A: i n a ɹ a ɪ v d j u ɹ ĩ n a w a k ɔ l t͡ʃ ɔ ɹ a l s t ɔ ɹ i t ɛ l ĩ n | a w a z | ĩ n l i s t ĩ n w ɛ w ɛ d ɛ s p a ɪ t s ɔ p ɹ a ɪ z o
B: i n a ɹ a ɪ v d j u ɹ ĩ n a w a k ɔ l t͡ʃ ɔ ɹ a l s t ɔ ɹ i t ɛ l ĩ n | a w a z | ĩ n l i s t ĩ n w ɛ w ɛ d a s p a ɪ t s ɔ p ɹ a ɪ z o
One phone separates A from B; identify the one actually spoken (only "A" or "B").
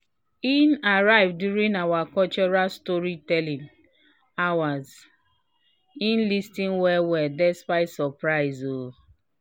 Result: A